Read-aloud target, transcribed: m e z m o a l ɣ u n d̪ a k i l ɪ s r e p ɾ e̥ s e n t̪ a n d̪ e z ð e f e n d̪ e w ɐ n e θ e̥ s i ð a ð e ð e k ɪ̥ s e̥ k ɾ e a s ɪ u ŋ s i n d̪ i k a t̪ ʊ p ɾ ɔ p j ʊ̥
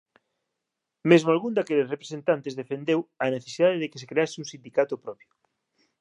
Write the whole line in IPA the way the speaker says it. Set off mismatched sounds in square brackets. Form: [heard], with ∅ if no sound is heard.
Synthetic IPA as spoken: m e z m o a l ɣ u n d̪ a k [e] l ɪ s r e p ɾ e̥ s e n t̪ a n [t̪] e z ð e f e n d̪ e w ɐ n e θ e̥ s i ð a ð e ð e k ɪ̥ s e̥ k ɾ e a s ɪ u ŋ s i n d̪ i k a t̪ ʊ p ɾ ɔ p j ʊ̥